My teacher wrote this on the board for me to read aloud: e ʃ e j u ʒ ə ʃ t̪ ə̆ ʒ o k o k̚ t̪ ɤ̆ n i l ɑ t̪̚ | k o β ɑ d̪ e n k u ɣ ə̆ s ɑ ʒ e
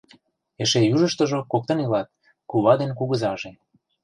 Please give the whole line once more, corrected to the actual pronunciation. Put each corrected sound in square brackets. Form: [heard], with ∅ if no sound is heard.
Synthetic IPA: e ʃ e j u ʒ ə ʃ t̪ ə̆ ʒ o k o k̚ t̪ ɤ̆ n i l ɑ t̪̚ | k [u] β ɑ d̪ e n k u ɣ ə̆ [z] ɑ ʒ e